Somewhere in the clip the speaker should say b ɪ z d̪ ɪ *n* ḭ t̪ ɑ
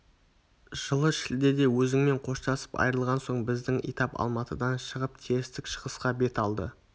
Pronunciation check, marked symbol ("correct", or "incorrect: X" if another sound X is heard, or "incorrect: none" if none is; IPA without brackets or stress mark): incorrect: ŋ